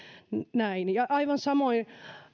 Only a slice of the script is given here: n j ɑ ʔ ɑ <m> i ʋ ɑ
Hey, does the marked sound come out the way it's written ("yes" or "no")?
no